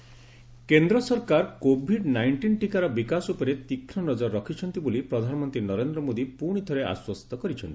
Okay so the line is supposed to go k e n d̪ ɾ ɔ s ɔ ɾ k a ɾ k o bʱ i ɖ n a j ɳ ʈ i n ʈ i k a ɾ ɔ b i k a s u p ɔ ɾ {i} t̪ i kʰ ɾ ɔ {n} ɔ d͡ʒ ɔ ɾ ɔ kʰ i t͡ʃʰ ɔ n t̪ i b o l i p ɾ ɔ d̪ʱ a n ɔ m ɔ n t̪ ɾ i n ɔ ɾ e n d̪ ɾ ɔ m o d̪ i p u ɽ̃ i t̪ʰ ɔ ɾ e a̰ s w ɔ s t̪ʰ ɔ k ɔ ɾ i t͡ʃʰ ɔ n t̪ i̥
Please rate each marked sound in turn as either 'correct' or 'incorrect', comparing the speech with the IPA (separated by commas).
incorrect, correct